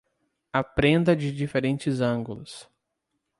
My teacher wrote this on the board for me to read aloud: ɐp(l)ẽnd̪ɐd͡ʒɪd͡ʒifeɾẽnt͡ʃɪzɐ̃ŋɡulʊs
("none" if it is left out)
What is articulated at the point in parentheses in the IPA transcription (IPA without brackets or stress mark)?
ɾ